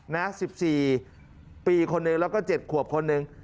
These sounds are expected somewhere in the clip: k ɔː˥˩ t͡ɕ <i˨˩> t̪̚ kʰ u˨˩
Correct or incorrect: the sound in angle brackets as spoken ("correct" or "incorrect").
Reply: incorrect